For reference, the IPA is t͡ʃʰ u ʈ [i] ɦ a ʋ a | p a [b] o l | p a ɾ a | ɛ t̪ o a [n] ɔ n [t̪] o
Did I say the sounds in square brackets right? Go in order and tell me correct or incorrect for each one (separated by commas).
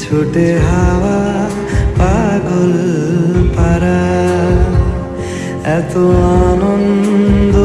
incorrect, incorrect, correct, incorrect